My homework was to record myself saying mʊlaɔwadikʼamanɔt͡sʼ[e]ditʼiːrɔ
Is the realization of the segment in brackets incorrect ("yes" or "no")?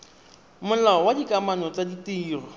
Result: yes